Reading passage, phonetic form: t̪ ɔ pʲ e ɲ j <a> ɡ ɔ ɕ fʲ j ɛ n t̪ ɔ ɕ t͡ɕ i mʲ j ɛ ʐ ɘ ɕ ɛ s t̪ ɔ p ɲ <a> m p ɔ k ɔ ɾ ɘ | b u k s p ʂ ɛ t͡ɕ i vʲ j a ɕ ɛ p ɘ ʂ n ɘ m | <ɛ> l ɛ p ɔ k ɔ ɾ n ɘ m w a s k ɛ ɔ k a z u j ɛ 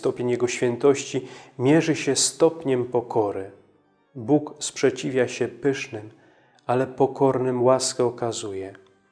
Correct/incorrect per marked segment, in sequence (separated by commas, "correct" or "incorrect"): incorrect, incorrect, incorrect